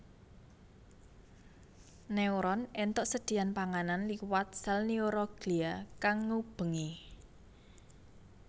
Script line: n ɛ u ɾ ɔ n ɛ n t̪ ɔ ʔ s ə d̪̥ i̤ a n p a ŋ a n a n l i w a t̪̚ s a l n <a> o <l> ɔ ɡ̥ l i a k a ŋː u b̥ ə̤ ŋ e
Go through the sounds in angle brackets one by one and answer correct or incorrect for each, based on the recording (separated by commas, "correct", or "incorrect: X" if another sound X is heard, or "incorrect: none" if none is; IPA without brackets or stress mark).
incorrect: i, incorrect: ɾ